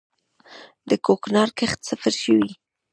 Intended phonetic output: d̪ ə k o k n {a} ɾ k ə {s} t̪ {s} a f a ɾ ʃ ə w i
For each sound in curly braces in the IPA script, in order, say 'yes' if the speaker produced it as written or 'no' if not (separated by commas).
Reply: no, no, yes